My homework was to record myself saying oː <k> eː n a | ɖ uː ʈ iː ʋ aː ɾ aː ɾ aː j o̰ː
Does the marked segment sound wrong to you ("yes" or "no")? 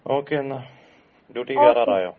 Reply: no